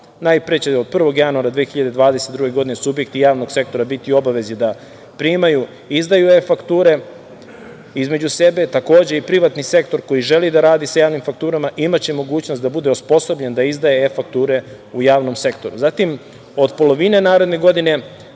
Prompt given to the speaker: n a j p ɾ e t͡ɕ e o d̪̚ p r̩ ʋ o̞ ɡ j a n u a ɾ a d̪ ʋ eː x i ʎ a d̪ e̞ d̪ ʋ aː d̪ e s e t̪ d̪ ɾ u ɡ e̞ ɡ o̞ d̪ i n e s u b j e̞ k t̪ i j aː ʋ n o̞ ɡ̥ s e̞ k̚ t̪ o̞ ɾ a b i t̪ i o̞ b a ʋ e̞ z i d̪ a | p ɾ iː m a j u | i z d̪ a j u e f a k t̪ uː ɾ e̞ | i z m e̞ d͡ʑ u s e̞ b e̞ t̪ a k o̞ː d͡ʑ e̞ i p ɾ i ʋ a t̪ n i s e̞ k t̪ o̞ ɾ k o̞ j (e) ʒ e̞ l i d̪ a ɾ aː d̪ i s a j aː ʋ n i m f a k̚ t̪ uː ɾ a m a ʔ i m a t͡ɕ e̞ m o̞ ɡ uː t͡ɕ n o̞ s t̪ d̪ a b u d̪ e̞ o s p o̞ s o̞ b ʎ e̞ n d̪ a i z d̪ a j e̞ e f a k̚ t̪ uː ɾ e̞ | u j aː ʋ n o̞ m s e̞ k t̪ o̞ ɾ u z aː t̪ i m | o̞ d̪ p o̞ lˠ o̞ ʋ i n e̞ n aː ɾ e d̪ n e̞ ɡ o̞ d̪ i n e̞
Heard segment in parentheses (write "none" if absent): i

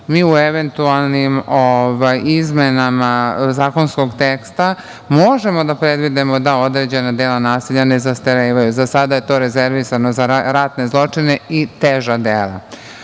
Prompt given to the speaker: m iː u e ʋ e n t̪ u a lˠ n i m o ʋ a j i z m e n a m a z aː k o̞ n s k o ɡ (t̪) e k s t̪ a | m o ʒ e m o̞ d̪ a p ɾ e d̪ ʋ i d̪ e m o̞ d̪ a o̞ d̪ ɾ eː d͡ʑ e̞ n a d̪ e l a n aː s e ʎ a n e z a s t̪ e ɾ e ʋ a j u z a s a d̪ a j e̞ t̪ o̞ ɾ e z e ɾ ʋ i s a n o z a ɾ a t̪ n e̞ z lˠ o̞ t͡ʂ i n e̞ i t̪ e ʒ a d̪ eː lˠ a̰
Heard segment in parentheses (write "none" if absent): t̪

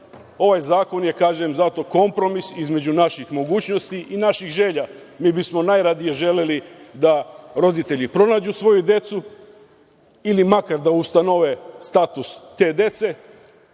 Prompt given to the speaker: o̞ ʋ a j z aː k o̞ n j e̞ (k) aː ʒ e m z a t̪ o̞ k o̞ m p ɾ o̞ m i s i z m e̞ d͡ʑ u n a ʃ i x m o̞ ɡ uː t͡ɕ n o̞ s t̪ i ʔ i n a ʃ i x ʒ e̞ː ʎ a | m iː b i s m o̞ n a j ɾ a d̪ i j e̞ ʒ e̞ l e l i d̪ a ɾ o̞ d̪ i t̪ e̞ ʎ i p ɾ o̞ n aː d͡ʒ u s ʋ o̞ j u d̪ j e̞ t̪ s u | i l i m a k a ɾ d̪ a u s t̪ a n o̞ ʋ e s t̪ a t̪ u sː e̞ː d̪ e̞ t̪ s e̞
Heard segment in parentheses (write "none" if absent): k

